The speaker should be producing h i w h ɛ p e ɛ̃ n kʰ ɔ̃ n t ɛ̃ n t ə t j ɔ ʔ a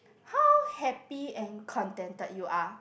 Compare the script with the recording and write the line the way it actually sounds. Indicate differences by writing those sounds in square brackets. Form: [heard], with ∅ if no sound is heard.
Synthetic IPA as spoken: h [a] w h ɛ p [i] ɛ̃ n kʰ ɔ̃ n t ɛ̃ n t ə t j [u] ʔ a